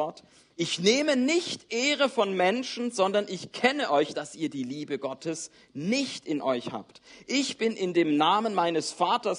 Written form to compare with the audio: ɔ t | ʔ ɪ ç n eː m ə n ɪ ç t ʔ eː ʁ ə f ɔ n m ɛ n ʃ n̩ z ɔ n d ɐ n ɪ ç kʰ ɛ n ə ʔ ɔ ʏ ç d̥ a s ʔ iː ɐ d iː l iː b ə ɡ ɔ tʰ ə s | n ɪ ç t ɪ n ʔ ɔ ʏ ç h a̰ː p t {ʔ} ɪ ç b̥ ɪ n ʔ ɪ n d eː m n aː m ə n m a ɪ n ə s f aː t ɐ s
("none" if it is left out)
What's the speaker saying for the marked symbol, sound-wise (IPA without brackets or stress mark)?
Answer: ʔ